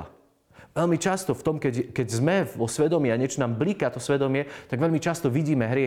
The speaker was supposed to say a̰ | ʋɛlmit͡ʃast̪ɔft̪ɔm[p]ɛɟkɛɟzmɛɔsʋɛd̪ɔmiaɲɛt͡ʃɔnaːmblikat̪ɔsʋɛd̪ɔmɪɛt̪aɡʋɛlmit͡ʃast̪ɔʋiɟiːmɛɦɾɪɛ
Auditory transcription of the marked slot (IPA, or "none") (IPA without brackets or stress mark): k